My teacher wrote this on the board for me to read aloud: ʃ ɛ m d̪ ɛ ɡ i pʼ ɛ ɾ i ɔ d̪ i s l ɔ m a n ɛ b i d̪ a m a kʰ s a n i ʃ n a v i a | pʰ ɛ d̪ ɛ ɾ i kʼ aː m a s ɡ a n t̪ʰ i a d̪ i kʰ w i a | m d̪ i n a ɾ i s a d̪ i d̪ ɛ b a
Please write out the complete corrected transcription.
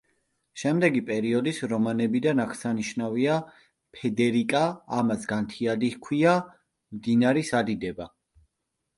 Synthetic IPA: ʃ ɛ m d̪ ɛ ɡ i pʼ ɛ ɾ i ɔ d̪ i s ɾ ɔ m a n ɛ b i d̪ a n a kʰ s a n i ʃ n a v i a | pʰ ɛ d̪ ɛ ɾ i kʼ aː m a s ɡ a n t̪ʰ i a d̪ i kʰ w i a | m d̪ i n a ɾ i s a d̪ i d̪ ɛ b a